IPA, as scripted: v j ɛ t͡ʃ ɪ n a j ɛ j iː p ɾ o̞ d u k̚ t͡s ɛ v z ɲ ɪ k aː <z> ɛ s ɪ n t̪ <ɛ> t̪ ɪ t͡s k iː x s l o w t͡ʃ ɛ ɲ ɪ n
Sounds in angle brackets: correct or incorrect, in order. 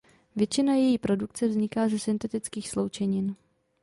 correct, correct

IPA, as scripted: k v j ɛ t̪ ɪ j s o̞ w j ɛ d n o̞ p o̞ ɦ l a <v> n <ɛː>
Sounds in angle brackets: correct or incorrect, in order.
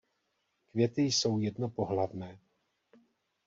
correct, correct

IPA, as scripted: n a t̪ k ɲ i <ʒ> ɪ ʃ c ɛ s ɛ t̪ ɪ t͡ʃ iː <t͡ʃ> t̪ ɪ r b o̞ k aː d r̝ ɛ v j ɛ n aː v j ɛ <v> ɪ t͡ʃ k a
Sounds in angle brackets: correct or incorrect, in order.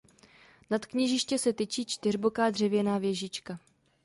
correct, correct, incorrect

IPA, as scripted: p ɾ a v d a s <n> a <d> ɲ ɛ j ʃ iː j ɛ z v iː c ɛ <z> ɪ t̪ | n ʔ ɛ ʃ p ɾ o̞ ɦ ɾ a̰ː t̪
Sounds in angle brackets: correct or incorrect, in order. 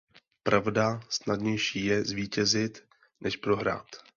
correct, correct, correct

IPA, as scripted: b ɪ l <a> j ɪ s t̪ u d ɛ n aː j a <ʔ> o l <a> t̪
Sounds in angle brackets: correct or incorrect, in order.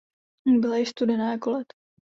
correct, incorrect, incorrect

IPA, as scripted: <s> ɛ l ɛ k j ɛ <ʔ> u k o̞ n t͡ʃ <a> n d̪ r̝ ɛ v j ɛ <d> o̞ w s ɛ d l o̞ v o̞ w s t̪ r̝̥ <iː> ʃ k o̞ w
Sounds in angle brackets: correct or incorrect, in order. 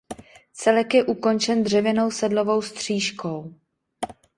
incorrect, correct, incorrect, incorrect, correct

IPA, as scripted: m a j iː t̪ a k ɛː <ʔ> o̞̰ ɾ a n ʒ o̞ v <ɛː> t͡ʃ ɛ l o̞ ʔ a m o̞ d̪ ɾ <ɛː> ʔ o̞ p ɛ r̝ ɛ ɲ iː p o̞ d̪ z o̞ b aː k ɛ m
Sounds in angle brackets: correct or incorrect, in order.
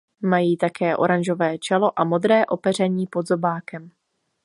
correct, correct, correct

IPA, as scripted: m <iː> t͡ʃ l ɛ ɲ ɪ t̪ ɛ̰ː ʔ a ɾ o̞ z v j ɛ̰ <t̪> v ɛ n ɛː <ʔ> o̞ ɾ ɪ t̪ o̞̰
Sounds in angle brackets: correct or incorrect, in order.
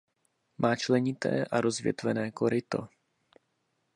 incorrect, correct, incorrect

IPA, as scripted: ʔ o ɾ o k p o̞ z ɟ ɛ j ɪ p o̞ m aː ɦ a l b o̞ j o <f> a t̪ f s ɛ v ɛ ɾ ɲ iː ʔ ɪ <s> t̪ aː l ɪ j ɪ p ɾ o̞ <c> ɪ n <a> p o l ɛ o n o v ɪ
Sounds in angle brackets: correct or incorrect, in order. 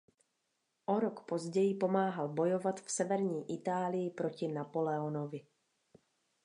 incorrect, incorrect, correct, correct

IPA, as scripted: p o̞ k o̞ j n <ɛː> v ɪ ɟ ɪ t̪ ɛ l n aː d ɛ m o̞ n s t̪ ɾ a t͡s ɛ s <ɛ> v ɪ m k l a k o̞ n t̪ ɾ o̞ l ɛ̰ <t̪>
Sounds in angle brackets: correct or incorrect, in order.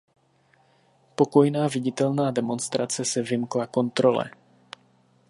incorrect, correct, incorrect

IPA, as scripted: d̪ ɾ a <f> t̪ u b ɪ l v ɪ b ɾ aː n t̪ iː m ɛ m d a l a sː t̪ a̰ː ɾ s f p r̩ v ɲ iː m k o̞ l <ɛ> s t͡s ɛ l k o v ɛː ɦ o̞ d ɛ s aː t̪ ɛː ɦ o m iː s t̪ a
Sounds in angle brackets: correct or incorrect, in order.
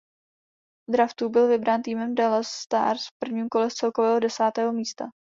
correct, correct

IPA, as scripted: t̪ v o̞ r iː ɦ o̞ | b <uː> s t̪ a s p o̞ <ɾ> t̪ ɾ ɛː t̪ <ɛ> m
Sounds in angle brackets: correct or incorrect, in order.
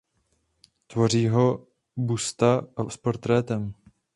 incorrect, correct, correct

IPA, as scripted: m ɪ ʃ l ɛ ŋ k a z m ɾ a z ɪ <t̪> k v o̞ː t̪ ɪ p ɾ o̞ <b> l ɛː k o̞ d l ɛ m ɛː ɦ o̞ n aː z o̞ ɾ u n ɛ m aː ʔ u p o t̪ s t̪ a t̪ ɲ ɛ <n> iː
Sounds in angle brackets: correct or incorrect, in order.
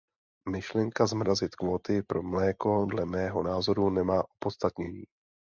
correct, incorrect, incorrect

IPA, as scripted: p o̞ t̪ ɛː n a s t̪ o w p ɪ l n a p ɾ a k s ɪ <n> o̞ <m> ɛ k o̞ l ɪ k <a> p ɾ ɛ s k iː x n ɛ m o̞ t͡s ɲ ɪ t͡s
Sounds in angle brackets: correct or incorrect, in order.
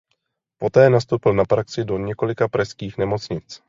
incorrect, incorrect, correct

